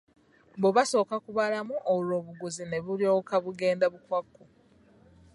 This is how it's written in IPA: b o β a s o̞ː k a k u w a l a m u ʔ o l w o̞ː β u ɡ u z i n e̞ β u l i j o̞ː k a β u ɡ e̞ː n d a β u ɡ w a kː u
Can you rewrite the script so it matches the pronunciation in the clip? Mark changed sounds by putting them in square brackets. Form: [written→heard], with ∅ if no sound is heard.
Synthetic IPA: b o β a s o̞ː k a k u [w→β] a l a m u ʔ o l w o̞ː β u ɡ u z i n e̞ β u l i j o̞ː k a β u ɡ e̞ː n d a β u [ɡ→k] w a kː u

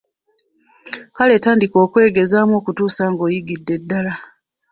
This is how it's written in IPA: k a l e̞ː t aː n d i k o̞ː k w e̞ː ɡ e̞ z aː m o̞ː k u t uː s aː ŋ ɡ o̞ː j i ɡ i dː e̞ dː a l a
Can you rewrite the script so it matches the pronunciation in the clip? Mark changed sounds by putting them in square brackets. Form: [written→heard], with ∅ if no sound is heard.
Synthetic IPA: k a l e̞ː t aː n d i k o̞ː k w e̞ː ɡ e̞ z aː m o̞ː k u t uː s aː ŋ ɡ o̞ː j i ɡ i dː e̞ dː a l a

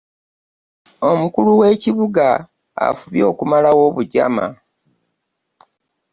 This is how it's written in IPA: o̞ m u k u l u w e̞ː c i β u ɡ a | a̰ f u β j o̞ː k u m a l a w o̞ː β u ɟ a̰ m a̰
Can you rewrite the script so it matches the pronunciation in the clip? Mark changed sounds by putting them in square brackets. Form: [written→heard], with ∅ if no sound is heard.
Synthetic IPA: o̞ m u k u l u w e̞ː c i β u ɡ a | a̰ f u β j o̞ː k u m a l a w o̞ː β u ɟ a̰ m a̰

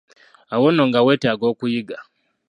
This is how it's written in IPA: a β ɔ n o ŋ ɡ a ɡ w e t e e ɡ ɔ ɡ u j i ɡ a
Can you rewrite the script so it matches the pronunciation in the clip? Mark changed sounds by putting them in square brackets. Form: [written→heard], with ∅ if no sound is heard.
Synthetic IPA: a [β→w] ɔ n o ŋ ɡ a [ɡ→∅] w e t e [e→a] ɡ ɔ [ɡ→k] u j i ɡ a

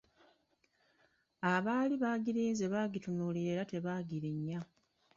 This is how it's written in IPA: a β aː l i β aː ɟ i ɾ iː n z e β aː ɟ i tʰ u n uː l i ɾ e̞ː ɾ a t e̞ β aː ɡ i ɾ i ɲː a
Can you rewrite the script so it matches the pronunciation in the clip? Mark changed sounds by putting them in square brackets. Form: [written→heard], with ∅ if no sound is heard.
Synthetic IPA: a β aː l i β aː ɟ i ɾ iː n z e β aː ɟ i [tʰ→t] u n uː l i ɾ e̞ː ɾ a t e̞ β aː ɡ i ɾ i ɲː a

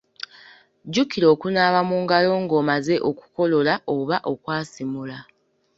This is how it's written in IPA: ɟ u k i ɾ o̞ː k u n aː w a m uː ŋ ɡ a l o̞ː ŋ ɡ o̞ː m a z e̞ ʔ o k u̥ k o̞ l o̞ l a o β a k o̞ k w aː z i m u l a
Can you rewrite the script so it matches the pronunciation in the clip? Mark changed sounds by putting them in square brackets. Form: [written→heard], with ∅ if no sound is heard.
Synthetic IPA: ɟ u k i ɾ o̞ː k u n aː [w→β] a m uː ŋ ɡ a l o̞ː ŋ ɡ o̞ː m a z e̞ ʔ o k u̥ k o̞ l o̞ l a o β a [k→ʔ] o̞ k w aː [z→s] i m u l a

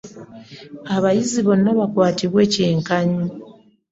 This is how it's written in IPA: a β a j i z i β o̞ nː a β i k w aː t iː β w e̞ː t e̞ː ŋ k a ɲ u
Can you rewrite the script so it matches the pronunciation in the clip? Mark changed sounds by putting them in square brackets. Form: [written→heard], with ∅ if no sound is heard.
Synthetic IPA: a β a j i z i β o̞ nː a β [i→a] k w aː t [iː→i] β w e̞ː [t→c] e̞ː ŋ k a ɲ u

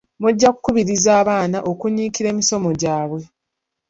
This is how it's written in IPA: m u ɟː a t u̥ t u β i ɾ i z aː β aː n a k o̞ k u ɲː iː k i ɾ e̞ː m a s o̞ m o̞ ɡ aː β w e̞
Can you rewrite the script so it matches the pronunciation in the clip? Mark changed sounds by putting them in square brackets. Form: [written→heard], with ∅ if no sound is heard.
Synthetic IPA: m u ɟː a [t→k] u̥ [t→k] u β i ɾ i z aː β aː n a [k→ʔ] o̞ k u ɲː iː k i ɾ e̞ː m [a→i] s o̞ m o̞ [ɡ→ɟ] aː β w e̞

